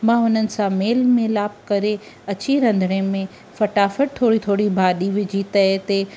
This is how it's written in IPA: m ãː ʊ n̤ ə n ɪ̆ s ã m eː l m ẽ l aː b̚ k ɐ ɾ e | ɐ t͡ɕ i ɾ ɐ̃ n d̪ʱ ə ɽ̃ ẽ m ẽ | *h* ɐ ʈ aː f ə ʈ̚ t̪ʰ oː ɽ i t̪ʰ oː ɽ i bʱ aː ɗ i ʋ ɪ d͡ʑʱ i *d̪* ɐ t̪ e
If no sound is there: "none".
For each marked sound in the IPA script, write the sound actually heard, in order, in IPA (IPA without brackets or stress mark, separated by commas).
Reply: f, t̪